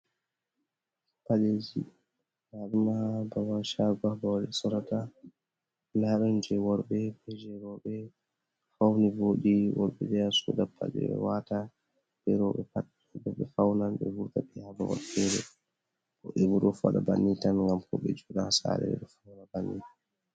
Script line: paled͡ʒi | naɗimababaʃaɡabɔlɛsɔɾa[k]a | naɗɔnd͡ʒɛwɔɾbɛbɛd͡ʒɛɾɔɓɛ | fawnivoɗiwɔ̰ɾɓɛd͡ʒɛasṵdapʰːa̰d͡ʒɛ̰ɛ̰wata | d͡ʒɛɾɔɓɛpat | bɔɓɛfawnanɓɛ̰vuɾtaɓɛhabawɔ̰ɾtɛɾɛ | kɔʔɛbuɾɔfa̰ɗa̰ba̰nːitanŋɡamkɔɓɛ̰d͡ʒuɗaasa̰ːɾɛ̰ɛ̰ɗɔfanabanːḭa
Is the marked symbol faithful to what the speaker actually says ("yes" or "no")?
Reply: no